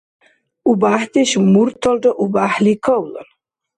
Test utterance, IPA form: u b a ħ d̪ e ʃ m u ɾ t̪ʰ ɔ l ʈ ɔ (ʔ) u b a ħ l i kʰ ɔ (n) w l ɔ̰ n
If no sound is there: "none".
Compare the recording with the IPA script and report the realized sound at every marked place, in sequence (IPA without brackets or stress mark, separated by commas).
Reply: ʔ, none